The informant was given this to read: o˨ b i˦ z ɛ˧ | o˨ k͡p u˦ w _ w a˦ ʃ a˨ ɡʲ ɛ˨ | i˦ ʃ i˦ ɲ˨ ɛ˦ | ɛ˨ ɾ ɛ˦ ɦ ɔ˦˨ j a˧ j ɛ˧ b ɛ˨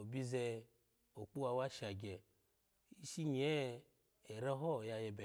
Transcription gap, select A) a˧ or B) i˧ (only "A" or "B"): A